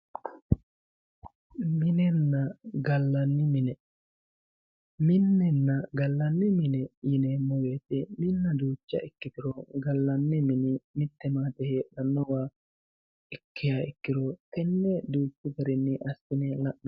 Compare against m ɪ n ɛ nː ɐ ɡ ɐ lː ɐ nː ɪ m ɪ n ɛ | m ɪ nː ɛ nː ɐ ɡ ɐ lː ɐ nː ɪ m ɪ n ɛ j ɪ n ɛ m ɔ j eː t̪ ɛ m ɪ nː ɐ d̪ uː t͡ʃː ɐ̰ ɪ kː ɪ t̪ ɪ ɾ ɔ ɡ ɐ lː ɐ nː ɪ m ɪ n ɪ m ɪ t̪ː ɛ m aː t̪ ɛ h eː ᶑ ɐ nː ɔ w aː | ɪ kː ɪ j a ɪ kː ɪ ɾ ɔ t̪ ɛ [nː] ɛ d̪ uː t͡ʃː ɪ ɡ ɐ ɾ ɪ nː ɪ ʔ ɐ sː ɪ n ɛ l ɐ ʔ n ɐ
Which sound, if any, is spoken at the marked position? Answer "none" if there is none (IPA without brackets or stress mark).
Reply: nː